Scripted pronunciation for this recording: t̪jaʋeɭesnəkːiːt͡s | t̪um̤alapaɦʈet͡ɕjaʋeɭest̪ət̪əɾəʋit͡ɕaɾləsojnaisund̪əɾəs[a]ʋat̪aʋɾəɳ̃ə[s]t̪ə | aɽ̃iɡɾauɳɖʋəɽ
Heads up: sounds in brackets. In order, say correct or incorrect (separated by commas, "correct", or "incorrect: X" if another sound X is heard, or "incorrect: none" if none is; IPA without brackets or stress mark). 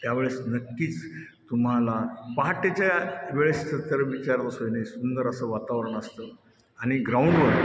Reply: incorrect: ə, correct